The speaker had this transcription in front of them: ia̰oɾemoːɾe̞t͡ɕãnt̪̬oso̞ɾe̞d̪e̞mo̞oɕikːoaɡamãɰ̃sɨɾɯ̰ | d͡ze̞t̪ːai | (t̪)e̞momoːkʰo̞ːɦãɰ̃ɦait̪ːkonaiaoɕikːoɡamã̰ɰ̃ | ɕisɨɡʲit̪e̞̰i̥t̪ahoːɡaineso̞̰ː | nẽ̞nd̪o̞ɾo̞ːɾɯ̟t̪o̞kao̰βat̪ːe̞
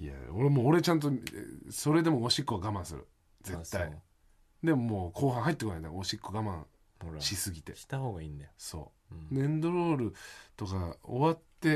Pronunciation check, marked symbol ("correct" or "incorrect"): incorrect